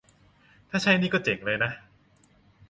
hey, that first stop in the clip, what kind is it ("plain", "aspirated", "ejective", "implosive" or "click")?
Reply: aspirated